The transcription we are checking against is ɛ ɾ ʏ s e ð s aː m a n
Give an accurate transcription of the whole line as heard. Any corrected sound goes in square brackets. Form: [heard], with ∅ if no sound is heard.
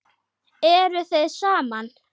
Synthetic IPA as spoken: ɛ ɾ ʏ [θ] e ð s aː m a n